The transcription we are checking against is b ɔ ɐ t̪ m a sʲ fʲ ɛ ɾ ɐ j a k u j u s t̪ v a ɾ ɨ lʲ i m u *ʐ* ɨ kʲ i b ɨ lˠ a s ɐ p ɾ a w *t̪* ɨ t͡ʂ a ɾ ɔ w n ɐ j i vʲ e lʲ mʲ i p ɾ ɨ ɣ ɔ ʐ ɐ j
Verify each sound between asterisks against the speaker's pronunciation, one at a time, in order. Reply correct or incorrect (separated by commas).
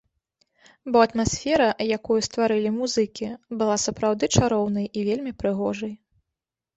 incorrect, incorrect